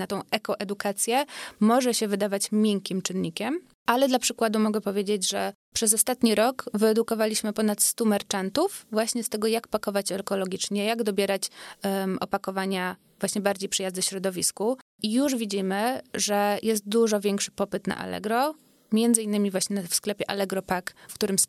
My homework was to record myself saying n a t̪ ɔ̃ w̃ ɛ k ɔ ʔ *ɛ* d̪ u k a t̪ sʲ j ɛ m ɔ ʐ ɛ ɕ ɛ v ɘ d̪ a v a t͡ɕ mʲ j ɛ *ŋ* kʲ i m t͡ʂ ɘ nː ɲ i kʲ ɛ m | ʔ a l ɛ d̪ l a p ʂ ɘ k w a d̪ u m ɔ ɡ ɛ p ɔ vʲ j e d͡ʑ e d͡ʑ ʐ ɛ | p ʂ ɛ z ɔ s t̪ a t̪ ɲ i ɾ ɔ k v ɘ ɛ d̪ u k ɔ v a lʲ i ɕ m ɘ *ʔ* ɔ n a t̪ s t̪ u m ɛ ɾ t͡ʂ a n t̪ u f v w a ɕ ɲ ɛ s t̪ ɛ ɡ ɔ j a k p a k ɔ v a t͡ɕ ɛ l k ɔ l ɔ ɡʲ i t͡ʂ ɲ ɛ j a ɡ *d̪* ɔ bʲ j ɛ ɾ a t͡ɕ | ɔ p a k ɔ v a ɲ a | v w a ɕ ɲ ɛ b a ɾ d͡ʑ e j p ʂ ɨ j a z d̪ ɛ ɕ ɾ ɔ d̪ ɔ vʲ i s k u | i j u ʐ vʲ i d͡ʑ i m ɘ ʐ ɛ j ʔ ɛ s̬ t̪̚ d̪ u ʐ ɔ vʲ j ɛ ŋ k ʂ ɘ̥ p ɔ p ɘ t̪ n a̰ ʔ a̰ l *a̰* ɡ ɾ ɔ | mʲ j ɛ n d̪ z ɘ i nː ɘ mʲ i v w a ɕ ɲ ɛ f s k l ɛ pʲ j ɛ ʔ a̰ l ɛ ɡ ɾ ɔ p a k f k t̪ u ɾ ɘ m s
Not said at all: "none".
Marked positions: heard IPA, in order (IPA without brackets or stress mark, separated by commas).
ɛ, ŋ, p, d̪, ɛ̰